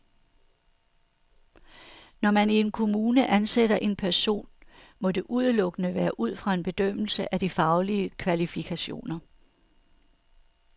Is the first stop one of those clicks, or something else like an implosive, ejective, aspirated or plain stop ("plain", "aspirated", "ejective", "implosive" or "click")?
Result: aspirated